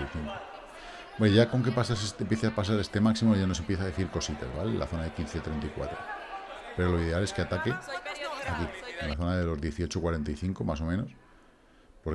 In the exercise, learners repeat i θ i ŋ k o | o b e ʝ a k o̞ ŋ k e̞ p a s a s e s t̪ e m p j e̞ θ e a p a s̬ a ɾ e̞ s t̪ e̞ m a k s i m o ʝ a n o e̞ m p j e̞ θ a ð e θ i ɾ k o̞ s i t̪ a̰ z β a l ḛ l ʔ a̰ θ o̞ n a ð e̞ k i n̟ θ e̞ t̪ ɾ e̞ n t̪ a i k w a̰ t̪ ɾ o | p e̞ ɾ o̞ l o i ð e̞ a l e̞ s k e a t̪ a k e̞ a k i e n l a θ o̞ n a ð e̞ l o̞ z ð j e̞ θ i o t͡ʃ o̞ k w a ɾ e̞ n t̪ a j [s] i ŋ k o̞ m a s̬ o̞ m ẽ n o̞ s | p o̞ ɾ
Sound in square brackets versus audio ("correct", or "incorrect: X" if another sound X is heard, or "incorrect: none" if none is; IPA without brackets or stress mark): incorrect: θ